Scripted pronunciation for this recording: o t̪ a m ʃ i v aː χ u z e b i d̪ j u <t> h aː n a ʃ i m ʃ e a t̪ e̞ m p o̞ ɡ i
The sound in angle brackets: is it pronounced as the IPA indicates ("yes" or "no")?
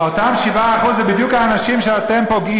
no